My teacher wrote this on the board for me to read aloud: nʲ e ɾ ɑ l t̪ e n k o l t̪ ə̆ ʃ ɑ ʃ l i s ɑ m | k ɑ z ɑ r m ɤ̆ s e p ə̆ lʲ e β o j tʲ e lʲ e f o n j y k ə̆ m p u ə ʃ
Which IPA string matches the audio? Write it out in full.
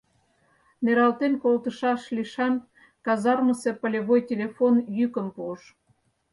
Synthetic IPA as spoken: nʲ e ɾ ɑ l t̪ e n k o l t̪ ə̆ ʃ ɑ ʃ l i ʃ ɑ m | k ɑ z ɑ r m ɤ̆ s e p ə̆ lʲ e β o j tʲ e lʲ e f o n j y k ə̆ m p u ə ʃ